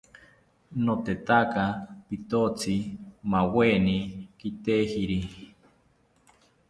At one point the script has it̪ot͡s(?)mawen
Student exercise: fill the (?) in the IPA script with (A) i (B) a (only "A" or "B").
A